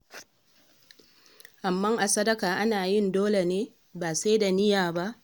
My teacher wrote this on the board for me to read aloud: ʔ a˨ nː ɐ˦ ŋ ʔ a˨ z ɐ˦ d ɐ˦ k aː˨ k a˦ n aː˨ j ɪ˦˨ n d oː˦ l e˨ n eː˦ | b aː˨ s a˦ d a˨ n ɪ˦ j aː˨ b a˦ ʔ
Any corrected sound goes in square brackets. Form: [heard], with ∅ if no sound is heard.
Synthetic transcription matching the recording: ʔ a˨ [mː] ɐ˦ ŋ ʔ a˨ [s] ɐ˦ d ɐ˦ k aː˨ [ʔ] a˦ n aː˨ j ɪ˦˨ n d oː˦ l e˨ n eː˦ | b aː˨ s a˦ d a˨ n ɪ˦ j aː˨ b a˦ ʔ

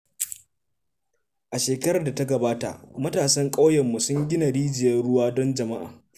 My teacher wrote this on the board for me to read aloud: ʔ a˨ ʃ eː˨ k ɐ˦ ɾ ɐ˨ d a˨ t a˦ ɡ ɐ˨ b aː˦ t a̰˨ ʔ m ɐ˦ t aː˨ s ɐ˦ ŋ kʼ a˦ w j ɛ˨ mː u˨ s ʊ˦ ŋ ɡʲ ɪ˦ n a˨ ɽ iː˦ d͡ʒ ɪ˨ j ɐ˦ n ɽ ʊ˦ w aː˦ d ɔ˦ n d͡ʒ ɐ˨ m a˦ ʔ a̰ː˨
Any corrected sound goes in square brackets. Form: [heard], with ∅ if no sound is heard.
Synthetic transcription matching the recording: ʔ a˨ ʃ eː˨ k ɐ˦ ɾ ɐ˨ d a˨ t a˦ ɡ ɐ˨ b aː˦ t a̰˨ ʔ m ɐ˦ t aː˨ s ɐ˦ ŋ kʼ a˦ w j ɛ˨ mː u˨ s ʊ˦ ŋ ɡʲ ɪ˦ n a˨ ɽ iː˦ d͡ʒ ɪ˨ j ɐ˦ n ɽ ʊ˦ w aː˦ d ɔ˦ n d͡ʒ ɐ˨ m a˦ ʔ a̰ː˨

